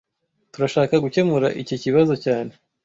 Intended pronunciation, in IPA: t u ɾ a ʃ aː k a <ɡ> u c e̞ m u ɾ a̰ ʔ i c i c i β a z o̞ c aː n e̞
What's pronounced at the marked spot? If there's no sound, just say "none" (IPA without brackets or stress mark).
ɡ